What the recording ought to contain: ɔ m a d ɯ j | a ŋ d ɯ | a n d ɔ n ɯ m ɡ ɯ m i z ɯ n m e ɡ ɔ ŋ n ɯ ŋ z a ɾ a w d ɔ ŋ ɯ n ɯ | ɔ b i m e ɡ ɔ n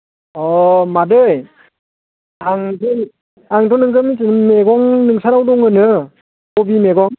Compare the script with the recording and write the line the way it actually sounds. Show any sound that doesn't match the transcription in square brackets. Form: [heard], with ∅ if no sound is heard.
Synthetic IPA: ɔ m a d ɯ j | a ŋ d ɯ | a [ŋ] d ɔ n ɯ [ŋ] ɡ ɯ m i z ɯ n m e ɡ ɔ ŋ n ɯ ŋ [s] a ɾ a w d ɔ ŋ ɯ n ɯ | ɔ b i m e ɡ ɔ [ŋ]